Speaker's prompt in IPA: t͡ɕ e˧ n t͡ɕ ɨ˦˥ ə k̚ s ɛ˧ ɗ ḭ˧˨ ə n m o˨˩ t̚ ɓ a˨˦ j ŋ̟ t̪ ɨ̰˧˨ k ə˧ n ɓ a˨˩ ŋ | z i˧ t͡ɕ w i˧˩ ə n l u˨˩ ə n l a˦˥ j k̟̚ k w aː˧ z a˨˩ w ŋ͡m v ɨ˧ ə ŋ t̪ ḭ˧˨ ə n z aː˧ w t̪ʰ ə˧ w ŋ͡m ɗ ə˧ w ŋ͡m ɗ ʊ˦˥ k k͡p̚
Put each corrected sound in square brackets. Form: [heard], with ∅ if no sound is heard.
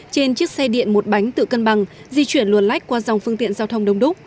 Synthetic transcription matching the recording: t͡ɕ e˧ n t͡ɕ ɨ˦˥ ə k̚ s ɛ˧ ɗ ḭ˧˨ ə n m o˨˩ t̚ ɓ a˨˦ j ŋ̟ t̪ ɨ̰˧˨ k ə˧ n ɓ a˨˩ ŋ | z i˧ t͡ɕ w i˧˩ ə n l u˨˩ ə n l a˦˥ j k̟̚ k w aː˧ z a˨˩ w ŋ͡m [f] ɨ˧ ə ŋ t̪ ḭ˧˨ ə n z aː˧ w t̪ʰ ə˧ w ŋ͡m ɗ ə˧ w ŋ͡m ɗ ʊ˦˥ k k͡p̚